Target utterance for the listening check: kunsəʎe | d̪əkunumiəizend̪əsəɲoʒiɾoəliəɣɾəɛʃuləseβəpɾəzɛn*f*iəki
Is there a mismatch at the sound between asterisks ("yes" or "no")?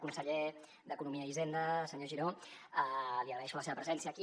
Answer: yes